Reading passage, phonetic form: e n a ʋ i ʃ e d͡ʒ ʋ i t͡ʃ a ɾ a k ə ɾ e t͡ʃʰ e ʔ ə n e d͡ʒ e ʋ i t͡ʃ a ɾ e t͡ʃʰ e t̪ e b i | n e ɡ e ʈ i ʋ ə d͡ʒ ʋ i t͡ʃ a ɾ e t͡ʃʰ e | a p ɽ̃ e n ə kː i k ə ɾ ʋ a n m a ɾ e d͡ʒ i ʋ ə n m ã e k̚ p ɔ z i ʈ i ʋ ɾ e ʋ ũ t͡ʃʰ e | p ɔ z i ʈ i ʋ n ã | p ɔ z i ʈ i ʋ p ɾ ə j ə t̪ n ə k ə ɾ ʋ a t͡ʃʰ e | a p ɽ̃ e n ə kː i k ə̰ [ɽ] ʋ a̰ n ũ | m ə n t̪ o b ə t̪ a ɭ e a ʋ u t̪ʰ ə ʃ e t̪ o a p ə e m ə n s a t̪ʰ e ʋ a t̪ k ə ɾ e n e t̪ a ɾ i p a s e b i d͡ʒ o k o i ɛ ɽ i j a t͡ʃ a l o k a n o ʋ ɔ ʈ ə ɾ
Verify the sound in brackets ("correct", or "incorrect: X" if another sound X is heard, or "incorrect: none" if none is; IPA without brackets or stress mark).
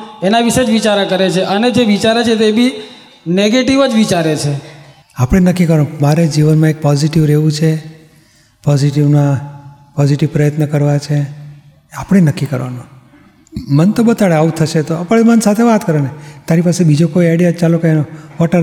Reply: incorrect: ɾ